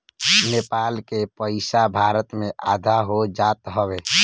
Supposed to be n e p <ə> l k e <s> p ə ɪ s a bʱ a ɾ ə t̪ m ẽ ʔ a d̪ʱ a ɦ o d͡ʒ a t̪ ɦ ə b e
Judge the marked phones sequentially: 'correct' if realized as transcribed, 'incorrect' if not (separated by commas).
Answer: incorrect, incorrect